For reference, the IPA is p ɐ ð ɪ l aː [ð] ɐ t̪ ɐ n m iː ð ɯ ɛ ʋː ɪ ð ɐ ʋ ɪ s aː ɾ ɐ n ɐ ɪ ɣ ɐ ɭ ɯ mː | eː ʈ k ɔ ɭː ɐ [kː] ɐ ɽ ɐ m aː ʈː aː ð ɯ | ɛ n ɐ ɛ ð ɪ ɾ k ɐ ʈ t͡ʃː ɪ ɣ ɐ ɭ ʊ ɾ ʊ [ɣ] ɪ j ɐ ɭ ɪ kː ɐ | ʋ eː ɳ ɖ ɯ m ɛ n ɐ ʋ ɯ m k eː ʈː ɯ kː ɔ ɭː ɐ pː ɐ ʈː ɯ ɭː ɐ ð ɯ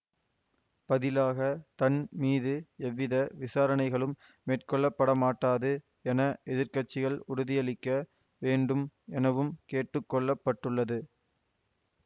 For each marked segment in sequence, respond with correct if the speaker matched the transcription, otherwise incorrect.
incorrect, incorrect, incorrect

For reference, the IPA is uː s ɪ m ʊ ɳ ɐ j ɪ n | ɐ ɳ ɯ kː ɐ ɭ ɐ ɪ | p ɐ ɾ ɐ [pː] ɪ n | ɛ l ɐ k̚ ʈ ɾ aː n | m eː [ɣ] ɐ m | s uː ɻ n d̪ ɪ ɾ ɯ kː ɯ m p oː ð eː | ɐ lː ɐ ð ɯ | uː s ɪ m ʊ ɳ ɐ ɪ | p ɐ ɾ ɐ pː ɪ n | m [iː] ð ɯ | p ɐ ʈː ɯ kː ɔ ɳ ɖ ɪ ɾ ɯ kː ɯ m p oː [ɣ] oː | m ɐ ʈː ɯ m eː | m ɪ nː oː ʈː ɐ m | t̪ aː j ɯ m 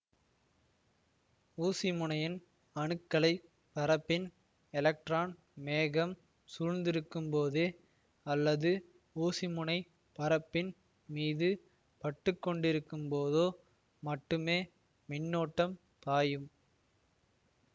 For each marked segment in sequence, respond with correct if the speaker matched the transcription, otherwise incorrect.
correct, correct, correct, incorrect

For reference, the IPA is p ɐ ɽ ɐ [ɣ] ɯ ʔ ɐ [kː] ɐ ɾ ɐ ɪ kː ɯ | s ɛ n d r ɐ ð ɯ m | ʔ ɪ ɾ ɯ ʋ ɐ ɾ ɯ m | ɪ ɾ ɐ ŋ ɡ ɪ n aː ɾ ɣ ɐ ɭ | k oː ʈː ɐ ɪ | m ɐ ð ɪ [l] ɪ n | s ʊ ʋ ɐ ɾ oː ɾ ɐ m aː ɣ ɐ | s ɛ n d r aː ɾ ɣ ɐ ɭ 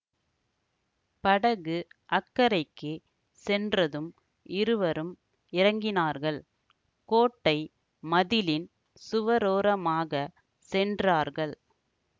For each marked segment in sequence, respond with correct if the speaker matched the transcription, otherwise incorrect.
correct, correct, correct

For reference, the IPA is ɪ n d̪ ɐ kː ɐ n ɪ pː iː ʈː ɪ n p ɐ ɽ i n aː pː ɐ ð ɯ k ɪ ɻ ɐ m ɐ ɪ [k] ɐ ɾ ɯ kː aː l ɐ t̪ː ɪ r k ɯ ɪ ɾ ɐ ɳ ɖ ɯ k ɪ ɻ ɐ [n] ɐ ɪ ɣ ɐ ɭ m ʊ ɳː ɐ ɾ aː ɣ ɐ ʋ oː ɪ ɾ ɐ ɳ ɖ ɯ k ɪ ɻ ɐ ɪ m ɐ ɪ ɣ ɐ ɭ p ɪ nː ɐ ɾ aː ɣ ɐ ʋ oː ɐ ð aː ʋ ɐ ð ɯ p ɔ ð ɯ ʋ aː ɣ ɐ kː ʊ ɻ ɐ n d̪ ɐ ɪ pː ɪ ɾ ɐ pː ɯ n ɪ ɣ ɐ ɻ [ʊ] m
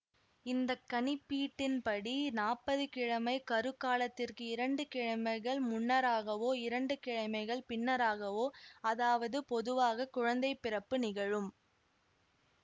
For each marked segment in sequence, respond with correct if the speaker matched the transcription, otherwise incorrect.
correct, incorrect, incorrect

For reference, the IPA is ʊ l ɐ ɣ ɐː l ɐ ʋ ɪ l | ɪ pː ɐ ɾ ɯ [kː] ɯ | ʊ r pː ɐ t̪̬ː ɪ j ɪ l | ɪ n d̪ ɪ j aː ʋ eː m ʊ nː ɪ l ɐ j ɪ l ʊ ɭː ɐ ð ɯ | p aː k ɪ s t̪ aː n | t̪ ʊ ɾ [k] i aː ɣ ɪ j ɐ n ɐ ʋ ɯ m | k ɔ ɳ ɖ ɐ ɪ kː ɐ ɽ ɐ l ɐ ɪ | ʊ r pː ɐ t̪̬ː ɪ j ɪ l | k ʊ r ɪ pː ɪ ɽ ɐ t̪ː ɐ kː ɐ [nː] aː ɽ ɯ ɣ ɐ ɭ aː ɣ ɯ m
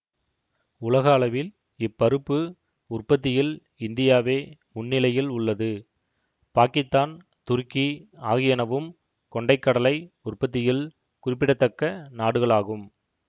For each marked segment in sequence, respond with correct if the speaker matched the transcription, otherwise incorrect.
incorrect, correct, incorrect

